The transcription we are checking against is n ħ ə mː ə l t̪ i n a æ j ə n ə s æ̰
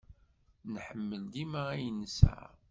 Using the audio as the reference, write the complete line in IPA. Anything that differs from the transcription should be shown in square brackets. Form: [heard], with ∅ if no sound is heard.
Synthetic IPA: n ħ ə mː ə l [d̪] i [m] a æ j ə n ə s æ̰